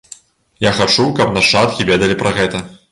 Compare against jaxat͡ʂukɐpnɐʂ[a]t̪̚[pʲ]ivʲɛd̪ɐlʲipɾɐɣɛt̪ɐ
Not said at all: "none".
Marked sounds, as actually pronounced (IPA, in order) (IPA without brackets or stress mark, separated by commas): a, kʲ